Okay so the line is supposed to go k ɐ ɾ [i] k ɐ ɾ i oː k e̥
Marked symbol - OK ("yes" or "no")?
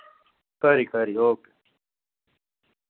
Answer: yes